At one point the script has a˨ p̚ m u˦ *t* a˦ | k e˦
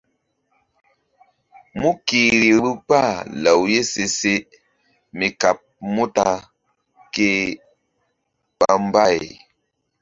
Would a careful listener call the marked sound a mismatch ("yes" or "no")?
no